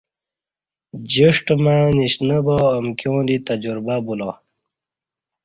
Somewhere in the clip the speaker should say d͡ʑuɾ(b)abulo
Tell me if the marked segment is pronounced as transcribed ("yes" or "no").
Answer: yes